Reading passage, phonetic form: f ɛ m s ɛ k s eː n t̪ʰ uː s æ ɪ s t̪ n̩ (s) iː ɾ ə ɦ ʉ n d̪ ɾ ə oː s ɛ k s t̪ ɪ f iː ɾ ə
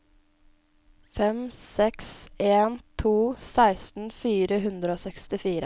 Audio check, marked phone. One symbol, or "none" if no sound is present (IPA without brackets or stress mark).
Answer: f